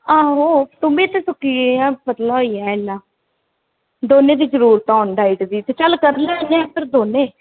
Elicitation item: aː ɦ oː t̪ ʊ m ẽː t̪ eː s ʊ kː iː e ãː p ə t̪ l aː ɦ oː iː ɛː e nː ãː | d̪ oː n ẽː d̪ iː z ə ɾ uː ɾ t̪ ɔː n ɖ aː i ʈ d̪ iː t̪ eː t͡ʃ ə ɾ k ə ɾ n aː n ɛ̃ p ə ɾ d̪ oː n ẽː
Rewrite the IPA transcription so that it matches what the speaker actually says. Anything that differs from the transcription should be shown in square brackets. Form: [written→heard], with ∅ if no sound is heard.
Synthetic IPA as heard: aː ɦ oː t̪ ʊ m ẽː t̪ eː s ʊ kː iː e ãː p ə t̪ l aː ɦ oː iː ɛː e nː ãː | d̪ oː n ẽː d̪ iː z ə ɾ uː ɾ t̪ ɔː n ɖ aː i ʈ d̪ iː t̪ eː t͡ʃ ə [ɾ→l] k ə ɾ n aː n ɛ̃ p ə ɾ d̪ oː n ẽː